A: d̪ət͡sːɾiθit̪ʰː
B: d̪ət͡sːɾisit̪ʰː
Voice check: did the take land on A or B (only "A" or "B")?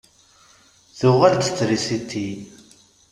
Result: B